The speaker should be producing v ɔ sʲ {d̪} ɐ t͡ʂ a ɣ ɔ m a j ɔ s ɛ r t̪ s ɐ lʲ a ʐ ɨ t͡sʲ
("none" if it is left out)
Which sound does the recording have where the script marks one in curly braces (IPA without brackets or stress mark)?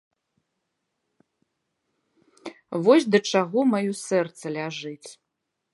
d̪